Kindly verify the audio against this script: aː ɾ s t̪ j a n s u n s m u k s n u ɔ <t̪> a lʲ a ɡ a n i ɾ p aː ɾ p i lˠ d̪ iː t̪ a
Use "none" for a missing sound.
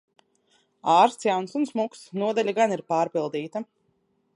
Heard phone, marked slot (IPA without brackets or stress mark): d̪